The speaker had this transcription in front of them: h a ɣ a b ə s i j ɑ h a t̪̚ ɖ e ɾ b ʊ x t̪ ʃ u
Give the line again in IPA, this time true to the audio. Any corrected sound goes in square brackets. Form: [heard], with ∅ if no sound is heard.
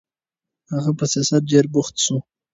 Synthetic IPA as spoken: h a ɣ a [p] ə s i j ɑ [s] a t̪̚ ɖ e ɾ b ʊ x t̪ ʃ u